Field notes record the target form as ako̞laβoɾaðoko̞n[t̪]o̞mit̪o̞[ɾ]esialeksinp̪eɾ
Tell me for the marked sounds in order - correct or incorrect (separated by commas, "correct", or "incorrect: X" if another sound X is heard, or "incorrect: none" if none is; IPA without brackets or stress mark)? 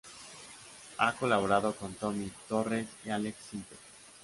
correct, incorrect: r